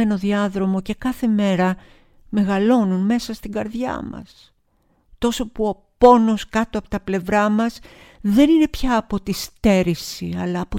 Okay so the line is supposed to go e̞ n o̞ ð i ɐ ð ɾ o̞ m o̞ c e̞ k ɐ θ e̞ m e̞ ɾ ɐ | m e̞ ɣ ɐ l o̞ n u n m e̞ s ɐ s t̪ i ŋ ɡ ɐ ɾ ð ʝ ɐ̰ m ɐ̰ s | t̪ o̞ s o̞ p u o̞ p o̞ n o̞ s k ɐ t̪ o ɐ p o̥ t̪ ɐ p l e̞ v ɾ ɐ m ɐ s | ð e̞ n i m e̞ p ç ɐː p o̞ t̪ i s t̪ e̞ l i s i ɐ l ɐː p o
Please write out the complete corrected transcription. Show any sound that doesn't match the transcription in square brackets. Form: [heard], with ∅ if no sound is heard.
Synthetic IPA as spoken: e̞ n o̞ ð i ɐ ð ɾ o̞ m o̞ c e̞ k ɐ θ e̞ m e̞ ɾ ɐ | m e̞ ɣ ɐ l o̞ n u n m e̞ s ɐ s t̪ i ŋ ɡ ɐ ɾ ð ʝ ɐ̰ m ɐ̰ s | t̪ o̞ s o̞ p u o̞ p o̞ n o̞ s k ɐ t̪ o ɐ p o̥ t̪ ɐ p l e̞ v ɾ ɐ m ɐ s | ð e̞ n i [n] e̞ p ç ɐː p o̞ t̪ i s t̪ e̞ [ɾ] i s i ɐ l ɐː p o